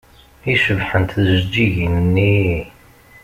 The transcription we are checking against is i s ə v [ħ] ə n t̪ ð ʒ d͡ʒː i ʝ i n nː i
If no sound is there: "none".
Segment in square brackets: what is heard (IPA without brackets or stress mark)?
ħ